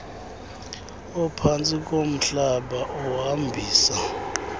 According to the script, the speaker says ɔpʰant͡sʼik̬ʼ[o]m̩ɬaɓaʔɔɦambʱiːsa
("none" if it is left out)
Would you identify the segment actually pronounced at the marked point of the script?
o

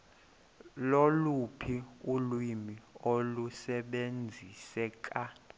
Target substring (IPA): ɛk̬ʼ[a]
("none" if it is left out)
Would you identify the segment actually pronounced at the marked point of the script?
a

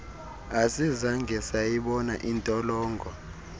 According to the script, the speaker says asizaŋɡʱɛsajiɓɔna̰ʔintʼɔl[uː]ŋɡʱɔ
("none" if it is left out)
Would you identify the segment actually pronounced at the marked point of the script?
ɔː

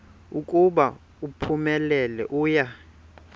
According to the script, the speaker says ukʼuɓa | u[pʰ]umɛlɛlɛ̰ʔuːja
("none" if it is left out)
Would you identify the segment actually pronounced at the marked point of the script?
pʰ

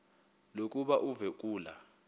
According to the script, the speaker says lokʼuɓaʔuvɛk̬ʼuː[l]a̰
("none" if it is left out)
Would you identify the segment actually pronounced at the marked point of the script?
l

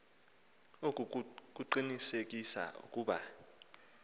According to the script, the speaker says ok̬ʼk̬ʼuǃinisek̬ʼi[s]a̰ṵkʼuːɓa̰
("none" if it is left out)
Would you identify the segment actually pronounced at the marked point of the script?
s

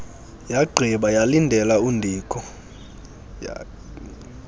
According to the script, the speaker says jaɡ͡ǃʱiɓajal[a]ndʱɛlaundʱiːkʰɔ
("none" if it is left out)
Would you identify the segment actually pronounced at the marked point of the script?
i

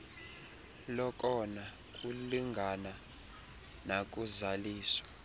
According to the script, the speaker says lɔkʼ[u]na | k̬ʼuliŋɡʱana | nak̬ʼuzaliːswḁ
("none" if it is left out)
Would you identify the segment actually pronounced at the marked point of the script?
ɔ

